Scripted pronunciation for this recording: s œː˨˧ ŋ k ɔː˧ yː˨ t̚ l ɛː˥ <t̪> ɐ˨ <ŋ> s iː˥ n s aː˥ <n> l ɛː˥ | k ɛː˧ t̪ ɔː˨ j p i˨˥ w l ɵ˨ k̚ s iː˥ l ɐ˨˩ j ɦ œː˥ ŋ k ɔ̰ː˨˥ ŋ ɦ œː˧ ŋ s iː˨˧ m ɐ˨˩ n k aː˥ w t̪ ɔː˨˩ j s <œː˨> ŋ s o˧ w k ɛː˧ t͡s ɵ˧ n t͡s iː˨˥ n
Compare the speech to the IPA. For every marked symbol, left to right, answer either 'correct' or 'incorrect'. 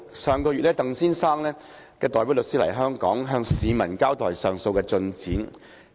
correct, correct, incorrect, correct

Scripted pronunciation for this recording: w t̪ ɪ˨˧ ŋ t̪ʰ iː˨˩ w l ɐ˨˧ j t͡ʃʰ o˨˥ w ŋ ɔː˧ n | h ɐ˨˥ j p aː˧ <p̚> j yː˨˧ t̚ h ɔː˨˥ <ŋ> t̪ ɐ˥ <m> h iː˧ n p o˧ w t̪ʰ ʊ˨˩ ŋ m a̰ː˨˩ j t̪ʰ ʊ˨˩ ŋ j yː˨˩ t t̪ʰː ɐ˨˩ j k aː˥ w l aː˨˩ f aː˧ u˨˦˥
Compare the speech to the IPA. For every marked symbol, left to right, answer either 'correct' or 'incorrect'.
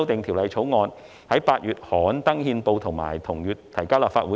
incorrect, incorrect, incorrect

